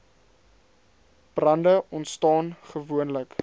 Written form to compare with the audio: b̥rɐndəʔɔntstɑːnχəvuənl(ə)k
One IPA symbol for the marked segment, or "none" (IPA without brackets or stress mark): ə